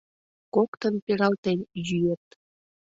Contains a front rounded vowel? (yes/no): yes